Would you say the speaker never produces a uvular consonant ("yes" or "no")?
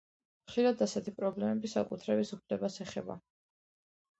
no